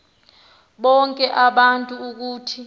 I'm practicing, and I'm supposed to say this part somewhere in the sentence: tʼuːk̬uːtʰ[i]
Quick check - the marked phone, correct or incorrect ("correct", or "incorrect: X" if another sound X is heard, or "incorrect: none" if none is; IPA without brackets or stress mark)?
correct